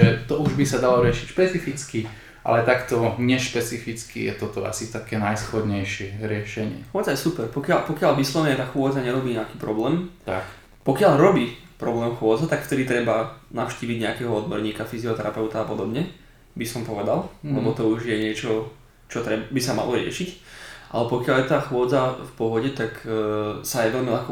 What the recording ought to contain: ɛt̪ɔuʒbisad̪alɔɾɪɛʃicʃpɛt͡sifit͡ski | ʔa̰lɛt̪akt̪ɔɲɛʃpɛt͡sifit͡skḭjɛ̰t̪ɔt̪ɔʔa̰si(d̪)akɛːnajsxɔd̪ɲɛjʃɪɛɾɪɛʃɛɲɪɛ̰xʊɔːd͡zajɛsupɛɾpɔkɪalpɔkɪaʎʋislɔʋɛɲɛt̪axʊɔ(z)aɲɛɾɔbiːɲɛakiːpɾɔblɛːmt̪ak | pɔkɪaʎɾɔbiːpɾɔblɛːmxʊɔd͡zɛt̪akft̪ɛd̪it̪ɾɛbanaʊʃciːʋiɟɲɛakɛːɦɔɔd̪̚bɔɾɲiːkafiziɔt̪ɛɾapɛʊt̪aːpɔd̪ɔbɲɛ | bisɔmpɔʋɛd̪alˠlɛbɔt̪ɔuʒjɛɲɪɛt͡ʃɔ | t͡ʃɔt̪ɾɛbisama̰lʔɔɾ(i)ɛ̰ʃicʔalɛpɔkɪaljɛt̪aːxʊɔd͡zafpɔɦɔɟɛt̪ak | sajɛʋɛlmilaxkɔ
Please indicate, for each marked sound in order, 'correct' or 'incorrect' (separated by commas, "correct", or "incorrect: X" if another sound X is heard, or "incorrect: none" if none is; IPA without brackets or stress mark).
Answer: incorrect: t̪, incorrect: d͡z, incorrect: ɪ